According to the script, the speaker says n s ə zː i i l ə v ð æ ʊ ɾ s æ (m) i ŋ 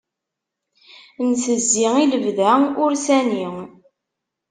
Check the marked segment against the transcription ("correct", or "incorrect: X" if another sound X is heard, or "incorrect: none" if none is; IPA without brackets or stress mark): incorrect: n